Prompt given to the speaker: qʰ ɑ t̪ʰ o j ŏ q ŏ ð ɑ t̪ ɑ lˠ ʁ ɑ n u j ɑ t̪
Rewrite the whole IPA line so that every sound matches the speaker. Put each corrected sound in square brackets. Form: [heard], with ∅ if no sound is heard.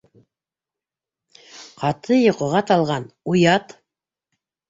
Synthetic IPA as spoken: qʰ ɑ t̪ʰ [ɤ] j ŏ q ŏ [ʁ] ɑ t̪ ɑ lˠ ʁ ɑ n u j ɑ t̪

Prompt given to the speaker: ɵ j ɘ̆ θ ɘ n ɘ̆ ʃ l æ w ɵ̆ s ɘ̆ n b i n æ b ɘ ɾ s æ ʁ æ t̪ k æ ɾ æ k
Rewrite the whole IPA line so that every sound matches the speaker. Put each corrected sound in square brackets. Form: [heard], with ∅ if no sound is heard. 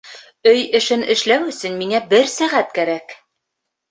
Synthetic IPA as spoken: ɵ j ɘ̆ [ʃ] ɘ n ɘ̆ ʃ l æ w ɵ̆ s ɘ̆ n [m] i [ŋ] æ b ɘ ɾ s æ ʁ æ t̪ k æ ɾ æ k

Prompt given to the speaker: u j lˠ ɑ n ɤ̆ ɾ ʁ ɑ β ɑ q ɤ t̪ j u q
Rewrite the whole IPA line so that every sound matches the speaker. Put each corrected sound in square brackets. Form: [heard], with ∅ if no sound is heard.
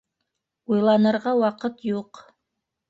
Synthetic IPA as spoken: u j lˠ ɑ n ɤ̆ ɾ ʁ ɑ [w] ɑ q ɤ t̪ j u q

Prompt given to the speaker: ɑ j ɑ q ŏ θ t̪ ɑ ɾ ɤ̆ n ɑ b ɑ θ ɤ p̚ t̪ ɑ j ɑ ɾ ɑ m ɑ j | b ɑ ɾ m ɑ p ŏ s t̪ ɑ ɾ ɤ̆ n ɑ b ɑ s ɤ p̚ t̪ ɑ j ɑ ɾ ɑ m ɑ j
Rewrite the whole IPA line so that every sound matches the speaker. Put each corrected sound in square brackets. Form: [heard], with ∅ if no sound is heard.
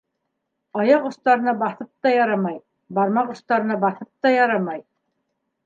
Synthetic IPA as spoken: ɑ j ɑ q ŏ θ t̪ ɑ ɾ ɤ̆ n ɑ b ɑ θ ɤ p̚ t̪ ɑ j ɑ ɾ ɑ m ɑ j | b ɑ ɾ m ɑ [q] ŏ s t̪ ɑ ɾ ɤ̆ n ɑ b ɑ [θ] ɤ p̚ t̪ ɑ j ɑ ɾ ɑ m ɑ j

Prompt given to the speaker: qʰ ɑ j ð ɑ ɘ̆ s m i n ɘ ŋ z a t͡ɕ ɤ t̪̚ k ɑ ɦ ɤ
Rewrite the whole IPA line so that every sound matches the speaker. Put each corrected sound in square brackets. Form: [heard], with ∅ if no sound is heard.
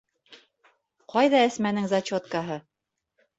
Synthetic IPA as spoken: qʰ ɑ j ð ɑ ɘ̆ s m [æ] n ɘ ŋ z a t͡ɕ [o] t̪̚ k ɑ ɦ ɤ

